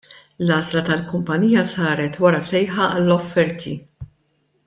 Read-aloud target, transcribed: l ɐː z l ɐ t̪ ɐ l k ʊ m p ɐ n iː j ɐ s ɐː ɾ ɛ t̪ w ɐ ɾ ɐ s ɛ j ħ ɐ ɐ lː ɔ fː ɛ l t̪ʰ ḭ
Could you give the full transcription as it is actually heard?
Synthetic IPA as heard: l ɐː z l ɐ t̪ ɐ l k ʊ m p ɐ n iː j ɐ s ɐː ɾ ɛ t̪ w ɐ ɾ ɐ s ɛ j ħ ɐ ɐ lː ɔ fː ɛ ɾ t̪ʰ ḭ